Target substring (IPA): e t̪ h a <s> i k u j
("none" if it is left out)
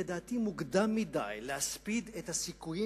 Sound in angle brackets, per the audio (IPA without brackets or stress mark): s